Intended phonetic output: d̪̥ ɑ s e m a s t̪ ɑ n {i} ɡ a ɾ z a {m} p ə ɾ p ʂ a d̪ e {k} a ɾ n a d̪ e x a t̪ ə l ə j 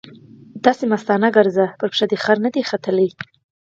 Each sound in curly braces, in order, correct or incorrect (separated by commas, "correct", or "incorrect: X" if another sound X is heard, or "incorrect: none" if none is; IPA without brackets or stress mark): incorrect: a, incorrect: none, incorrect: x